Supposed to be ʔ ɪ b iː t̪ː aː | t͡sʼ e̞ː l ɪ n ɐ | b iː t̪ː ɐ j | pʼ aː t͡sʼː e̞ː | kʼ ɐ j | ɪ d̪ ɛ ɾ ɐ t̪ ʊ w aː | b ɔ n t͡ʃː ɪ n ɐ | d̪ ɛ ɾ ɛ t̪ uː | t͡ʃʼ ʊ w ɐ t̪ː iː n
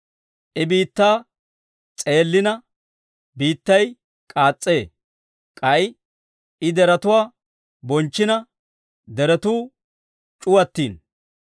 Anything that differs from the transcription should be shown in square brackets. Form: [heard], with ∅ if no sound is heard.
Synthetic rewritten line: ʔ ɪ b iː t̪ː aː | t͡sʼ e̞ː [lː] ɪ n ɐ | b iː t̪ː ɐ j | [kʼ] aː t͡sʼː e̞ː | kʼ ɐ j | ɪ d̪ ɛ ɾ ɐ t̪ ʊ w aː | b ɔ n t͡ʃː ɪ n ɐ | d̪ ɛ ɾ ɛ t̪ uː | t͡ʃʼ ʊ w ɐ t̪ː iː n

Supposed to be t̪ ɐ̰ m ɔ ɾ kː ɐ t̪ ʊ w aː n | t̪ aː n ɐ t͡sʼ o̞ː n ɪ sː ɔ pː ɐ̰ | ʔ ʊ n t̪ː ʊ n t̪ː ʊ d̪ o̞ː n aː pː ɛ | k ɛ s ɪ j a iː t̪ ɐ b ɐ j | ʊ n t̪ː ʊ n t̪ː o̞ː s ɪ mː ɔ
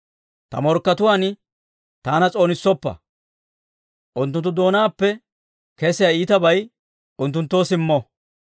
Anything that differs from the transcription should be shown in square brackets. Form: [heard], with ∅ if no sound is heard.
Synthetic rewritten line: t̪ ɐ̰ m ɔ ɾ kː ɐ t̪ ʊ w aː n | t̪ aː n ɐ t͡sʼ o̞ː n ɪ sː ɔ pː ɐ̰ | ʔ ʊ n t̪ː ʊ n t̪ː ʊ d̪ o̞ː n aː pː ɛ | k ɛ s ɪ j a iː t̪ ɐ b ɐ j | ʊ n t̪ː ʊ n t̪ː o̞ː s ɪ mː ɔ

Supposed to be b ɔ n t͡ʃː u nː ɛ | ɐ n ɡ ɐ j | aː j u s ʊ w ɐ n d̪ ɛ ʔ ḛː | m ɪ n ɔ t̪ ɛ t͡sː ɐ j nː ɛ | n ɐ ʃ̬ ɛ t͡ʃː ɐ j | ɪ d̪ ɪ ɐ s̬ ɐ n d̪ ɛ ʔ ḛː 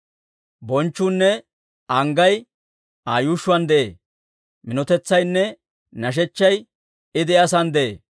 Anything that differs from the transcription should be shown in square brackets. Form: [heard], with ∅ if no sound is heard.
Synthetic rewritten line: b ɔ n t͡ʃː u nː ɛ | ɐ [ŋ] ɡ ɐ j | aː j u [ʃ] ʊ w ɐ n d̪ ɛ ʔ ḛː | m ɪ n ɔ t̪ ɛ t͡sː ɐ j nː ɛ | n ɐ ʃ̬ ɛ t͡ʃː ɐ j | ɪ d̪ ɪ ɐ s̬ ɐ n d̪ ɛ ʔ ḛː

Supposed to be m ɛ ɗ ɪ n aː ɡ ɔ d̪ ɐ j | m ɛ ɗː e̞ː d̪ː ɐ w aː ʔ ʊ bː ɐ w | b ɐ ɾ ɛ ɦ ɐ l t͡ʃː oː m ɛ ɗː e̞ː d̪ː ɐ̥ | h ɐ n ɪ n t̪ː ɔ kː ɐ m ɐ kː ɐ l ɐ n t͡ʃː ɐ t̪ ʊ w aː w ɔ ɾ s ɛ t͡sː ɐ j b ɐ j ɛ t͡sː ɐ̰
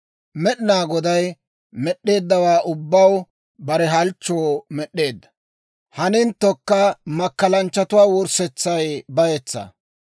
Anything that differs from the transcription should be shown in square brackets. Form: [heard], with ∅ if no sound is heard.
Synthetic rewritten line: m ɛ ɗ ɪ n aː ɡ ɔ d̪ ɐ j | m ɛ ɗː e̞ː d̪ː ɐ w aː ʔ ʊ bː ɐ w | b ɐ ɾ ɛ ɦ ɐ l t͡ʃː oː m ɛ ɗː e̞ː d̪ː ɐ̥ | h ɐ n ɪ n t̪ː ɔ kː ɐ m ɐ kː ɐ l ɐ n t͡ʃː ɐ t̪ ʊ w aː w ɔ ɾ s ɛ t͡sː ɐ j b ɐ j ɛ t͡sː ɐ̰

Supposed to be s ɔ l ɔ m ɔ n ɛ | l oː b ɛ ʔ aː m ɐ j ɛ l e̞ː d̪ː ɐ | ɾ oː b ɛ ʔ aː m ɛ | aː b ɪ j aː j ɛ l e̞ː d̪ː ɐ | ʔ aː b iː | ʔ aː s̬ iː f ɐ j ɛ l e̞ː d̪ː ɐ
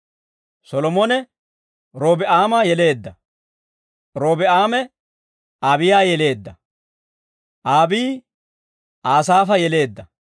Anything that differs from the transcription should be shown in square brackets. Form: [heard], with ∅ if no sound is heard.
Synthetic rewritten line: s ɔ l ɔ m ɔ n ɛ | [ɾ] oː b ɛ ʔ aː m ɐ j ɛ l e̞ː d̪ː ɐ | ɾ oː b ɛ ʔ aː m ɛ | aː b ɪ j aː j ɛ l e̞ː d̪ː ɐ | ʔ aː b iː | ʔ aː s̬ [aː] f ɐ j ɛ l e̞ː d̪ː ɐ

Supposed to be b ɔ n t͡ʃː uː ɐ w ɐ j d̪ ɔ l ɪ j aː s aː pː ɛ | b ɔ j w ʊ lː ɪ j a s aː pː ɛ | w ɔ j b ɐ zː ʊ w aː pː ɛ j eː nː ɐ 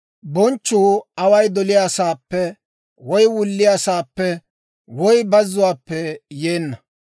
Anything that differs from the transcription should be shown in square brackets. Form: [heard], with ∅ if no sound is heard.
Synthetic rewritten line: b ɔ n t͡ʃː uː ɐ w ɐ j d̪ ɔ l ɪ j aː s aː pː ɛ | [w] ɔ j w ʊ lː ɪ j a s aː pː ɛ | w ɔ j b ɐ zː ʊ w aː pː ɛ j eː nː ɐ

